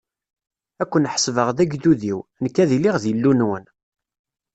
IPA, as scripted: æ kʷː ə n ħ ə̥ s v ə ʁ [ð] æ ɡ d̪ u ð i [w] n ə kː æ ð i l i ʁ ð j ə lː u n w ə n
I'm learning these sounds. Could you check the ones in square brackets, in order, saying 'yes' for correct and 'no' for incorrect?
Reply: yes, yes

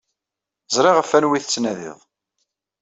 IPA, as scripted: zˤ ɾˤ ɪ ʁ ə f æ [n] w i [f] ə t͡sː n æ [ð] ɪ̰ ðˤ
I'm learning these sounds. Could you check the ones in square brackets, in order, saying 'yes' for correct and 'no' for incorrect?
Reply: yes, no, yes

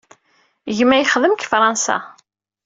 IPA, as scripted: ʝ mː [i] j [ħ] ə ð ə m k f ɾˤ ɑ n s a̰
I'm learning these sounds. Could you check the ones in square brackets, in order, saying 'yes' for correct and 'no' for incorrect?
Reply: no, no

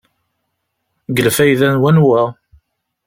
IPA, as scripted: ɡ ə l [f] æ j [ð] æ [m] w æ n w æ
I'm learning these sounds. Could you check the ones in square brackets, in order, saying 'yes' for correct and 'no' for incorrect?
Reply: yes, yes, no

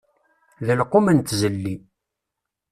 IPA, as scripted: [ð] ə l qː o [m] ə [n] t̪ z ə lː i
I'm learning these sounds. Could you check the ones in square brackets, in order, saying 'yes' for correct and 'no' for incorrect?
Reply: yes, yes, yes

